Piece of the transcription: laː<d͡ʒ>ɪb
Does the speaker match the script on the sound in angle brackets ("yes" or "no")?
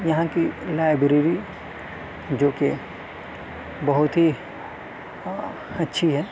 no